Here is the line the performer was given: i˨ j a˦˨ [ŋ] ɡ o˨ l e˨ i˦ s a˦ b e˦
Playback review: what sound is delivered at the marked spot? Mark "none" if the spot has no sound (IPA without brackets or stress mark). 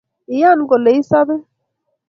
n